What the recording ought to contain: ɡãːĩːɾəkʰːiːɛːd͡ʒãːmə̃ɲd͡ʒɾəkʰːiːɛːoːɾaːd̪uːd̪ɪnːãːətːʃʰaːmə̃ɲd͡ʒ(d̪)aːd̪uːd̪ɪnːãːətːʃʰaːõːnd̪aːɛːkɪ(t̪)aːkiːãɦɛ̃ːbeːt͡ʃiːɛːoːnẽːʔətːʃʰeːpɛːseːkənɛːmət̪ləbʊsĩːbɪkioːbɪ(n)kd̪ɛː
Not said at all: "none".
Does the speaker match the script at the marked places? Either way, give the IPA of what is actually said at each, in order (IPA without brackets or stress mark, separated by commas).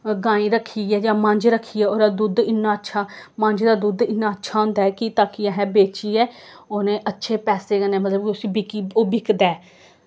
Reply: d̪, t̪, none